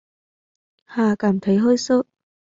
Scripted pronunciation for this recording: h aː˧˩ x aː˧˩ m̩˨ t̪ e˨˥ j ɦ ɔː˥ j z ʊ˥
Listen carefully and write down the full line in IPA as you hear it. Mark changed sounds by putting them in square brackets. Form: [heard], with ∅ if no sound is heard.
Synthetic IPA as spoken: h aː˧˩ [k] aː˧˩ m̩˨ [t̪ʰ] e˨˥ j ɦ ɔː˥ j [s] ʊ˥

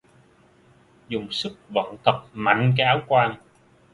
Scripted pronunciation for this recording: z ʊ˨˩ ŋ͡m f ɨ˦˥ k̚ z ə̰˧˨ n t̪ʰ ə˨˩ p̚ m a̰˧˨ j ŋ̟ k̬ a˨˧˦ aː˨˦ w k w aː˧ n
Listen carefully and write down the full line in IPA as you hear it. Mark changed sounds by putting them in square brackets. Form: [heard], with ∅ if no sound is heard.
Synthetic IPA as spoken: z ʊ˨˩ ŋ͡m [s] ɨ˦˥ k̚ [v] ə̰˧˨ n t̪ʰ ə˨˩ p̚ m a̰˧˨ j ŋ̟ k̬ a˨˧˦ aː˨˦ w k w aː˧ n

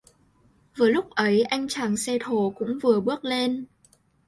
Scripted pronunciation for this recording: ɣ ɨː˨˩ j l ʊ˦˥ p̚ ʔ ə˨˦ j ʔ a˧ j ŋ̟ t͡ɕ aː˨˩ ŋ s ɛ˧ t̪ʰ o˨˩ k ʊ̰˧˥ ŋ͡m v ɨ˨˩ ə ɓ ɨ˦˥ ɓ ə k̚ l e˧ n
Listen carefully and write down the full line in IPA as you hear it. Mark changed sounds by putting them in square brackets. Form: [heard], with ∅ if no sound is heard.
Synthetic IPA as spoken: [v] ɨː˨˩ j l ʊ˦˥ [k͡p̚] ʔ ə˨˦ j ʔ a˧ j ŋ̟ t͡ɕ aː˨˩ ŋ s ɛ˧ t̪ʰ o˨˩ k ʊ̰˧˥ ŋ͡m v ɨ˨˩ ə ɓ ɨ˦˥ [∅] ə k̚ l e˧ n

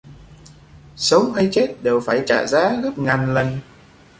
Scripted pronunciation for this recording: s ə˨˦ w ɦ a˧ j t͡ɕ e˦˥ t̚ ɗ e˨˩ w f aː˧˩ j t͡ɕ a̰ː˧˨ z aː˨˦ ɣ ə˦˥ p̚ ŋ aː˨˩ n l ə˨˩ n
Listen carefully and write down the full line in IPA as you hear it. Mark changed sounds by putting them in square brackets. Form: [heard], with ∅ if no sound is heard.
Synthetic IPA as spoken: s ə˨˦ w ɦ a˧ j t͡ɕ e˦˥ t̚ ɗ e˨˩ w f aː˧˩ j t͡ɕ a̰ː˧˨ z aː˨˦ ɣ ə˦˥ p̚ ŋ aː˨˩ n l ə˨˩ n

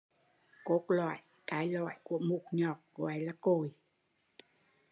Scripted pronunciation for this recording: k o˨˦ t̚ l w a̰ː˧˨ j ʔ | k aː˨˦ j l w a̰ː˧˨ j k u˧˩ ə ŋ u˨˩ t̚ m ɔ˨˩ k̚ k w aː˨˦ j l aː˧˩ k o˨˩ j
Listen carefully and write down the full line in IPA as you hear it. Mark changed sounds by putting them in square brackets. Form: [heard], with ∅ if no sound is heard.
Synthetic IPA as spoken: k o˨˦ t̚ l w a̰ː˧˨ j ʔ | k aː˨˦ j l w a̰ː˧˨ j k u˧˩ ə [m] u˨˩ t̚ [ɲ] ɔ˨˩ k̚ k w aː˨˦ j l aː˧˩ k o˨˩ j

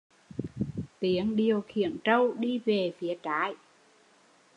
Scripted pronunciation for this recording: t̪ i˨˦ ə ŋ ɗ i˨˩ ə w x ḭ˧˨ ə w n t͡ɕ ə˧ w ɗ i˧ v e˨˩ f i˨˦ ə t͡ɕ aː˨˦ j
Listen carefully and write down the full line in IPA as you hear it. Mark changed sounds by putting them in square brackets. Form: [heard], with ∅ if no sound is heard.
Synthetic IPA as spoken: t̪ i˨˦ ə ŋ ɗ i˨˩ ə w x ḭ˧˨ ə [∅] n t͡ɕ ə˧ w ɗ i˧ v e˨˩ f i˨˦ ə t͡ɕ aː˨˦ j

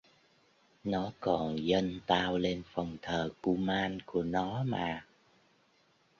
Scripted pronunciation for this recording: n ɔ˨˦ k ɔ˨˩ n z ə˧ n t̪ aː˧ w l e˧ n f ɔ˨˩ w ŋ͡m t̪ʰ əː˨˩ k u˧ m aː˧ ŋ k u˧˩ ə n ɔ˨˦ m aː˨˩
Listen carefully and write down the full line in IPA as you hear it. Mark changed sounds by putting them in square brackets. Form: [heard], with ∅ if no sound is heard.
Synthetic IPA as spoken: n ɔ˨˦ k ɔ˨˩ n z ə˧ n t̪ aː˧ w l e˧ n f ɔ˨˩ w ŋ͡m t̪ʰ əː˨˩ k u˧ m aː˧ [n] k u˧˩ ə n ɔ˨˦ m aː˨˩

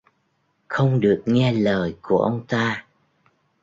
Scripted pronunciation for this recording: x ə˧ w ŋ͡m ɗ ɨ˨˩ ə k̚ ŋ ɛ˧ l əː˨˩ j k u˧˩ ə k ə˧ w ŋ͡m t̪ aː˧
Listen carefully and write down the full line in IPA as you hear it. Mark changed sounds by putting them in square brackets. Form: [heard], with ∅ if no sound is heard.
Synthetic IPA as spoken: x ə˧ w ŋ͡m ɗ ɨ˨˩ ə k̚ ŋ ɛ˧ l əː˨˩ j k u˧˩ ə [ʔ] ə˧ w ŋ͡m t̪ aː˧

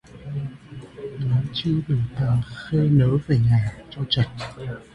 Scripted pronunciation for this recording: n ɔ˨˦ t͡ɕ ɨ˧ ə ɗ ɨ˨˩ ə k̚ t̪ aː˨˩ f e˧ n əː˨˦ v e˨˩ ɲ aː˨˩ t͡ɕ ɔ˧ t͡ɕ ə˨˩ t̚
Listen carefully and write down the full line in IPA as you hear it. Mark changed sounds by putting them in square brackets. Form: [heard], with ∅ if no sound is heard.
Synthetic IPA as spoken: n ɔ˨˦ t͡ɕ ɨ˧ ə ɗ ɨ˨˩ ə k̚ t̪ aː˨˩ [x] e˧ n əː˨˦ v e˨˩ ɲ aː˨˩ t͡ɕ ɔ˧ t͡ɕ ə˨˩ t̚

